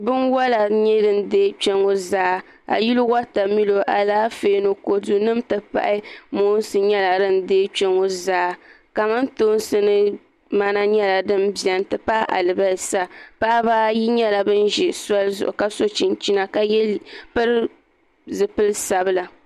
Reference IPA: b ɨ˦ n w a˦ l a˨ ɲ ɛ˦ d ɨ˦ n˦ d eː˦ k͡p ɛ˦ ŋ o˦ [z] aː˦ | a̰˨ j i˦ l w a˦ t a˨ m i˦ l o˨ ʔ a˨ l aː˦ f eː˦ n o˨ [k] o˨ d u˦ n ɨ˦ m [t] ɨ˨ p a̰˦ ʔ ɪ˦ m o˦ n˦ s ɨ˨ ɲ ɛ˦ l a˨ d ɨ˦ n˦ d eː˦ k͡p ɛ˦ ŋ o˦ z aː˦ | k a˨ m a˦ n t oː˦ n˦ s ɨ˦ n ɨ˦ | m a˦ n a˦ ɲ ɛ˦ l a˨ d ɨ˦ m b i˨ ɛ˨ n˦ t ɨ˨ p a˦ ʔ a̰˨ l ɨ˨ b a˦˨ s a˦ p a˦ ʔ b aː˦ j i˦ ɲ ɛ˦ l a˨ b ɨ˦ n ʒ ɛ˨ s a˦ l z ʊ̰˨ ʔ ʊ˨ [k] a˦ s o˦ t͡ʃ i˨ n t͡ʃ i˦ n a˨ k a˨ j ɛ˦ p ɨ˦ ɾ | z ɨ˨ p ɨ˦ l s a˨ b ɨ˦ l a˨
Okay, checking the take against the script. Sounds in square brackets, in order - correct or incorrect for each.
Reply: correct, correct, correct, correct

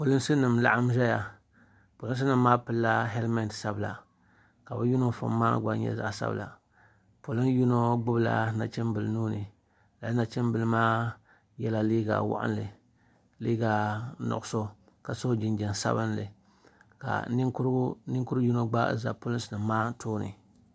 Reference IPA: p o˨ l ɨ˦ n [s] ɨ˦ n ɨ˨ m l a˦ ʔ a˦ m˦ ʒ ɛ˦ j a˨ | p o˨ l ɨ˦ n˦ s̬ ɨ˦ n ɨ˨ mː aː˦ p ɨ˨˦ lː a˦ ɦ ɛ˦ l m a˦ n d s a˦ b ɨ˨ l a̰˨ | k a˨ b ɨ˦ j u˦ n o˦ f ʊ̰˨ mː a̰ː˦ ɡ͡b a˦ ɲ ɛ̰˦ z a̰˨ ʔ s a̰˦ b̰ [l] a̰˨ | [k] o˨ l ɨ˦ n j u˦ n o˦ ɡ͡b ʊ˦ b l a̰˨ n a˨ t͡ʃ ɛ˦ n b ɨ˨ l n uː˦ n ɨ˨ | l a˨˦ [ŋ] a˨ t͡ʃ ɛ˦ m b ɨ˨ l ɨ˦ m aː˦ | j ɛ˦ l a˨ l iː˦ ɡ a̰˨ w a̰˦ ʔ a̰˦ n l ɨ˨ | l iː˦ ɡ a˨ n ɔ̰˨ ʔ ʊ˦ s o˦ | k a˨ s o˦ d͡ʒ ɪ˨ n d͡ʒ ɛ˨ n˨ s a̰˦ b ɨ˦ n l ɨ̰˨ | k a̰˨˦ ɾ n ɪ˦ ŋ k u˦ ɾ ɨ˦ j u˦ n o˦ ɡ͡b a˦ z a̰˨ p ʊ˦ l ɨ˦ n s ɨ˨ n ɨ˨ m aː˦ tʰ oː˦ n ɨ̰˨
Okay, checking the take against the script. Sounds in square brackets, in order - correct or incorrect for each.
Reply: correct, correct, incorrect: p, incorrect: n

